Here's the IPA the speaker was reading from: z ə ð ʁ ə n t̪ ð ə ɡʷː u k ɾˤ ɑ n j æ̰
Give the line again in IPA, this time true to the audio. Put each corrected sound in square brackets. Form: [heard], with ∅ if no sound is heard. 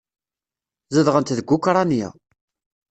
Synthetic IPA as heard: z ə ð ʁ ə n t̪ ð ə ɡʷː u k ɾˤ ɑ n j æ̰